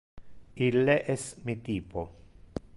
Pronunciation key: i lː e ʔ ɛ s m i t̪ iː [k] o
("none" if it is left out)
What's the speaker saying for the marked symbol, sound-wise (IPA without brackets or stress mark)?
p